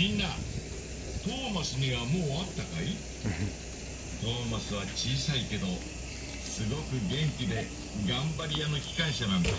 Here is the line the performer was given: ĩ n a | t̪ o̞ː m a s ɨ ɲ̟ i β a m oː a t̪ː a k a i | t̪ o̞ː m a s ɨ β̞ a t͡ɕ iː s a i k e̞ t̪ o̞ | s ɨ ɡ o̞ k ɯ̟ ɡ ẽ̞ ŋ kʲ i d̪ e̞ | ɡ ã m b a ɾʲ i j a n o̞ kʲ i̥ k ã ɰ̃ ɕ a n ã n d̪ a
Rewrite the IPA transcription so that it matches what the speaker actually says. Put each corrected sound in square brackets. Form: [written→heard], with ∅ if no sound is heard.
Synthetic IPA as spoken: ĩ [n→nː] a | t̪ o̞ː m a s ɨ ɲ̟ i β a m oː a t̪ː a k a i | t̪ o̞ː m a s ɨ β̞ a t͡ɕ iː s a i k e̞ [t̪→d̪] o̞ | s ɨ ɡ o̞ k ɯ̟ ɡ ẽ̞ ŋ kʲ i d̪ e̞ | ɡ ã m b a ɾʲ i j a n o̞ kʲ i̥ k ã ɰ̃ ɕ a n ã n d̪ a